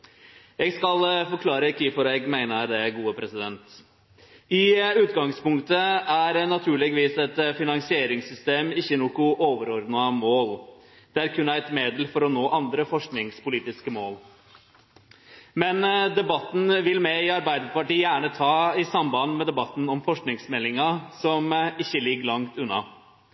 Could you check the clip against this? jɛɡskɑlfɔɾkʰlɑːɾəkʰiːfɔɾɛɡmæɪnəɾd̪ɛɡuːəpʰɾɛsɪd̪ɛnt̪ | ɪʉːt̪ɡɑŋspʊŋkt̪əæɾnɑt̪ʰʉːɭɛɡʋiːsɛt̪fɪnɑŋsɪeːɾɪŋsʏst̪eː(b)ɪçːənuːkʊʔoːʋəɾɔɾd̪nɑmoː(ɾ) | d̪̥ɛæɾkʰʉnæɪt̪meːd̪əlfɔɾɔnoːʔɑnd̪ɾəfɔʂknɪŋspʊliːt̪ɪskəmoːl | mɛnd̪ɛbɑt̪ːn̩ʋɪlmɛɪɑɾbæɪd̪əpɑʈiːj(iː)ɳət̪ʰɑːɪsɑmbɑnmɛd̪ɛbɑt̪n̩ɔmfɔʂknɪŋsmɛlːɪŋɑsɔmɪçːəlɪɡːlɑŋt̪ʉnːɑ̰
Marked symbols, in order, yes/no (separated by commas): no, no, no